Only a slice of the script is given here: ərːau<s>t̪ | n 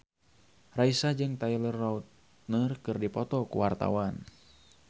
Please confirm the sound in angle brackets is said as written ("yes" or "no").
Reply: no